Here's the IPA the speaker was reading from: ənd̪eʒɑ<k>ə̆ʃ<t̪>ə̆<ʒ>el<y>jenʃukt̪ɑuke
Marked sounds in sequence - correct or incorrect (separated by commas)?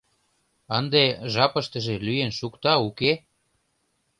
incorrect, correct, correct, correct